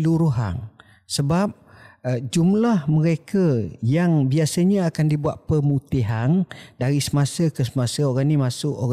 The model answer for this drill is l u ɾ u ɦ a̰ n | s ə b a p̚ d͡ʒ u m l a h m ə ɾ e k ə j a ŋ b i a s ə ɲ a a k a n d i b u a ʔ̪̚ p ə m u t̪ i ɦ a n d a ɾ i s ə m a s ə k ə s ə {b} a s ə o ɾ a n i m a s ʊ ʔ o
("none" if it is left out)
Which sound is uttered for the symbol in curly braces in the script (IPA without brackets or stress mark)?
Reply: m